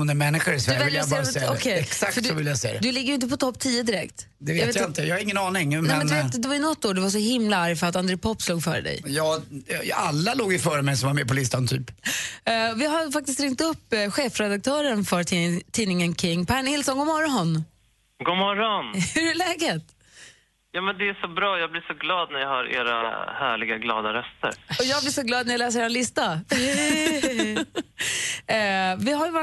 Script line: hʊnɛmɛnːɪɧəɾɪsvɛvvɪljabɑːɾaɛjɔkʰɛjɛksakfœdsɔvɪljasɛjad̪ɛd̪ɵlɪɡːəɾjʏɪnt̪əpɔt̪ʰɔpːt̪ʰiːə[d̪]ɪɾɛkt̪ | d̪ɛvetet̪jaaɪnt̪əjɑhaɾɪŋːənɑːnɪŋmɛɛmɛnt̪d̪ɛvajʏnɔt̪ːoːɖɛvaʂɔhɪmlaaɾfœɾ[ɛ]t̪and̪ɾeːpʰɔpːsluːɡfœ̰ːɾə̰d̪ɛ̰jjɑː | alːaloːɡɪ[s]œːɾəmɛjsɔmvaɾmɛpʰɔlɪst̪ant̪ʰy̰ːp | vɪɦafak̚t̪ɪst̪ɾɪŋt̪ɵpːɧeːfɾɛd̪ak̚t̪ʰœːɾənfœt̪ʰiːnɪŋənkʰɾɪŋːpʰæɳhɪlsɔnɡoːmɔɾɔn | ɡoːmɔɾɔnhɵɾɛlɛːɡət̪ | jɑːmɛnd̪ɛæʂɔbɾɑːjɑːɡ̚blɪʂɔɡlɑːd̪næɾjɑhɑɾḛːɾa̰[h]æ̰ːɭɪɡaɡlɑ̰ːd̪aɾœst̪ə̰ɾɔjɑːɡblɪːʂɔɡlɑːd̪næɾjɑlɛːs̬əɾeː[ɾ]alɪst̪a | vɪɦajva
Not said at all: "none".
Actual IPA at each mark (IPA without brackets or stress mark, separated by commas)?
d̪, a, f, h, ɾ